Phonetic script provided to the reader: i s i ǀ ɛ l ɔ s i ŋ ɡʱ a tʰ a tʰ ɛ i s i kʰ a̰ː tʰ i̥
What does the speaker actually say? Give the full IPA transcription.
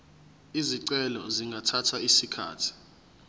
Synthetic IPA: i z i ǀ ɛ l ɔ z i ŋ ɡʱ a tʰ a tʰ a i s i kʰ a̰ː tʰ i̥